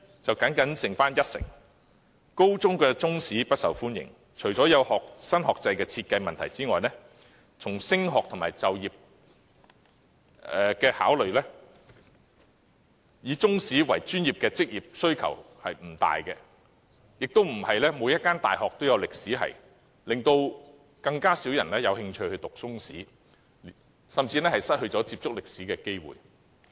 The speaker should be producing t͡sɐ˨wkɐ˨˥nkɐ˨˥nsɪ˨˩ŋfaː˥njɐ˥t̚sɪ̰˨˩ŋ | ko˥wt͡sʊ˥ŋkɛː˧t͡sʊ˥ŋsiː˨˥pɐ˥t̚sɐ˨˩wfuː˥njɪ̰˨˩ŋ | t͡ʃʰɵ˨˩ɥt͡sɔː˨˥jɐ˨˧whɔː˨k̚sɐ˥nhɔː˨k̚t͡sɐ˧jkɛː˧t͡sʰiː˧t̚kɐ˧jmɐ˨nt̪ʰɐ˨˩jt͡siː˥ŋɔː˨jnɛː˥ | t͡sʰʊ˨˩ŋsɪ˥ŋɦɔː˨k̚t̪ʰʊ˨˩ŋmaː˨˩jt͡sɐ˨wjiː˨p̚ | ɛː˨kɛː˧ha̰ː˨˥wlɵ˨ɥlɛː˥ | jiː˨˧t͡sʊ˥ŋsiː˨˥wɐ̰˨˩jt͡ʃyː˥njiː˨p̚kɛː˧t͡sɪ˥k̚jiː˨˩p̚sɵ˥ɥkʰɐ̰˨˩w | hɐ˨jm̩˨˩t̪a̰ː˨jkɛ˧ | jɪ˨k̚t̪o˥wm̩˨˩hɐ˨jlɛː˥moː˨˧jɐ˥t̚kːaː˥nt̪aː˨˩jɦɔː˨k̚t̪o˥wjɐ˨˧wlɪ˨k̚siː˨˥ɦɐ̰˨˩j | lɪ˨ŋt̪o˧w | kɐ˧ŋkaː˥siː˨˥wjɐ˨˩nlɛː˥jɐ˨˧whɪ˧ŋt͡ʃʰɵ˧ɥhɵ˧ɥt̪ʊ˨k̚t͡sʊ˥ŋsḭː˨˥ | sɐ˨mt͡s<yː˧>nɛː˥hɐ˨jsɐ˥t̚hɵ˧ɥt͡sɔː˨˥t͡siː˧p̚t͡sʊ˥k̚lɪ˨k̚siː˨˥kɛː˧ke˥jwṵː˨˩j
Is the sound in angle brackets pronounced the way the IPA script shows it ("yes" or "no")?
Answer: no